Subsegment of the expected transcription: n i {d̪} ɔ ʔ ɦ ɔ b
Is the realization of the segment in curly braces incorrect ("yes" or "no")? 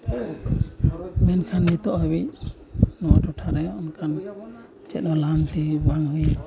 yes